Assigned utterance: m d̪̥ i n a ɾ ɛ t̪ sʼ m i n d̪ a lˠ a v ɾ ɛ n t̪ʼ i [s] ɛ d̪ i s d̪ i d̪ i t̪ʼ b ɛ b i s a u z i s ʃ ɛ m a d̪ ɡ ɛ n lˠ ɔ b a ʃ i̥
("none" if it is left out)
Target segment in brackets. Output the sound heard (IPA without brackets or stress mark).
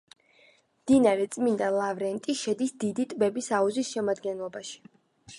ʃ